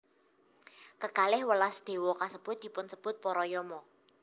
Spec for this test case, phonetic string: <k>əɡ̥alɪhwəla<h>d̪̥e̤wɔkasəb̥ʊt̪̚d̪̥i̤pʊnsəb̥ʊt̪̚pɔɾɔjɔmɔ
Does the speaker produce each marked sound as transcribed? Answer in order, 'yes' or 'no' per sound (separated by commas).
yes, no